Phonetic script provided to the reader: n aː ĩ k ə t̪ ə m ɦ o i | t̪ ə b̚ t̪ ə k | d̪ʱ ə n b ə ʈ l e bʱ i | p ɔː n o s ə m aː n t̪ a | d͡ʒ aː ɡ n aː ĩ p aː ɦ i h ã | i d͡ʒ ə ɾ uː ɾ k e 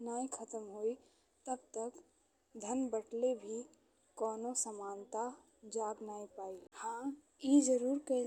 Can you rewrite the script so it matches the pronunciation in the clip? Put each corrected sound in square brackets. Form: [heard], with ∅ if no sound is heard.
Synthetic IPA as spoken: n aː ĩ [kʰ] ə t̪ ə m ɦ o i | t̪ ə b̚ t̪ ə k | d̪ʱ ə n b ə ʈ l e bʱ i | [k] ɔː n o s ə m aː n t̪ a | d͡ʒ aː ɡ n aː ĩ p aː [∅] i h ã | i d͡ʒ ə ɾ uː ɾ k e